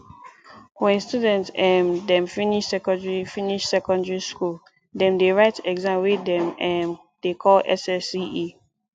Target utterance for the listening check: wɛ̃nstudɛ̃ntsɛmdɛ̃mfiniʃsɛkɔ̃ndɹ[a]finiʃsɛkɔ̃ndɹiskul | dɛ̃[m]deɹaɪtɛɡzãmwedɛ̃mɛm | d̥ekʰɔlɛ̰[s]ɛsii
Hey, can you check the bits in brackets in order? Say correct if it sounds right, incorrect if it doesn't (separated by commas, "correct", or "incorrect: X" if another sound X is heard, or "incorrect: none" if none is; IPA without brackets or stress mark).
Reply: incorrect: i, correct, correct